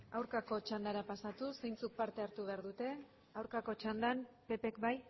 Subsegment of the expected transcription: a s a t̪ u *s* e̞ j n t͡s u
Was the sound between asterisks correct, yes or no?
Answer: yes